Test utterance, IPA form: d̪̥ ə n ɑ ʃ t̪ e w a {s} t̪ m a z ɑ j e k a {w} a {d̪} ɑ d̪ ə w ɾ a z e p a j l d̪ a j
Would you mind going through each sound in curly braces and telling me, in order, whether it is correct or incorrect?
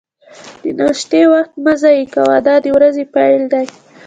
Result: incorrect, correct, correct

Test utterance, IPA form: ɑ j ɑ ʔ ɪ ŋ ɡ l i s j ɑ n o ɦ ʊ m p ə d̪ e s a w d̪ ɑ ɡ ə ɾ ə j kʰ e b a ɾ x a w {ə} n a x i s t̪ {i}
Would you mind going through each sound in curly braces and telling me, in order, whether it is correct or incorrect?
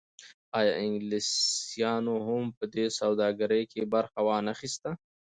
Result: incorrect, incorrect

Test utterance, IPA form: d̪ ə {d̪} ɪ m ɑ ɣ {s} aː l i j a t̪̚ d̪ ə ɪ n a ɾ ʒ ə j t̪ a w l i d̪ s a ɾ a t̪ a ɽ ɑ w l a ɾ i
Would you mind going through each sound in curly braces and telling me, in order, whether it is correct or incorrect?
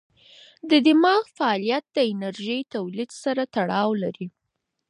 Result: correct, incorrect

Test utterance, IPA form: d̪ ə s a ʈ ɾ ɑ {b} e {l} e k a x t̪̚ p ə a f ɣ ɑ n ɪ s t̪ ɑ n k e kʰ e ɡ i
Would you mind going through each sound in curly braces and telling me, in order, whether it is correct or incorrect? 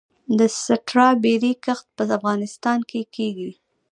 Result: correct, incorrect

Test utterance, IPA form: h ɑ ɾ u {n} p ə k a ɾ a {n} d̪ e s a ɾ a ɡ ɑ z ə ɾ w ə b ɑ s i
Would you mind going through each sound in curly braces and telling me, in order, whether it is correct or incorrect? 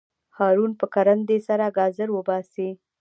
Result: correct, correct

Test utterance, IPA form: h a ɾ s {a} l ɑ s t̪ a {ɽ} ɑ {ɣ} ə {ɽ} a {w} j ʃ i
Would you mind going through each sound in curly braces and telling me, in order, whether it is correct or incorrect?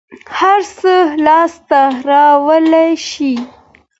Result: incorrect, incorrect, incorrect, incorrect, incorrect

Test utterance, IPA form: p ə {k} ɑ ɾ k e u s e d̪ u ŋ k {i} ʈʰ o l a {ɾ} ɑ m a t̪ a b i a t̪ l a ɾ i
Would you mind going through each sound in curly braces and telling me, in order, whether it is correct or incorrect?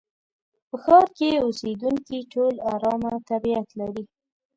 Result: incorrect, correct, correct

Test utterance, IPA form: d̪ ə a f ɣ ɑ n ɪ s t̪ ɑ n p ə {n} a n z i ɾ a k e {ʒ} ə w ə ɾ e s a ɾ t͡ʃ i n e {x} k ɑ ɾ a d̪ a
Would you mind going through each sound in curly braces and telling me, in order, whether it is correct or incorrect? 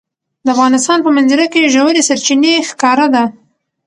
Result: incorrect, correct, correct

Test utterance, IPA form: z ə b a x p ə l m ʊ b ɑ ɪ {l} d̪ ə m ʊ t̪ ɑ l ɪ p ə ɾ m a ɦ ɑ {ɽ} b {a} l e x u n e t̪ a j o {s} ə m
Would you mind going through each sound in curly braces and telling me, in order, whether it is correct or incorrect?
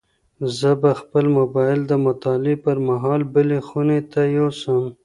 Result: correct, incorrect, incorrect, correct

